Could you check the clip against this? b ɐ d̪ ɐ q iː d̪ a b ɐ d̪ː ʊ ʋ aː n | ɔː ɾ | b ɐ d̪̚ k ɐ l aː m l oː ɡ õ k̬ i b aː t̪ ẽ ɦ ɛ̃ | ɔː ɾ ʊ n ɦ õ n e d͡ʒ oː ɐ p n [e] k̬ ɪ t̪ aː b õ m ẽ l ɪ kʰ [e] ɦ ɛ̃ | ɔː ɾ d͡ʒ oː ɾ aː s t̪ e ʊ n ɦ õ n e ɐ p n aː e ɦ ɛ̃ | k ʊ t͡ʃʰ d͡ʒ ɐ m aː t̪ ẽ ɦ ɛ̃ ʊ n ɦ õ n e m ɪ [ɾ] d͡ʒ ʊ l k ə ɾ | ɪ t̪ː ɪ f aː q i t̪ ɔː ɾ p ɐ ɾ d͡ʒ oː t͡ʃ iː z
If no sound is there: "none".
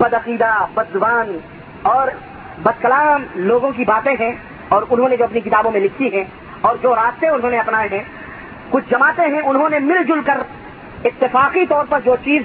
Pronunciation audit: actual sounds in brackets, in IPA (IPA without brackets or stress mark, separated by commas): i, i, l